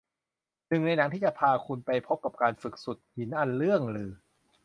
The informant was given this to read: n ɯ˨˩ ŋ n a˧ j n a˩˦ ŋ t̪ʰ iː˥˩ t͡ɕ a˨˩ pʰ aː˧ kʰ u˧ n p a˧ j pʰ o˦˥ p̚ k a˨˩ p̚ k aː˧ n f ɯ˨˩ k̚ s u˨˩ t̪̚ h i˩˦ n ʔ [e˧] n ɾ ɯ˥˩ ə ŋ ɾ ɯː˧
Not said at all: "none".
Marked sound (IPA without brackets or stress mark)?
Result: a˧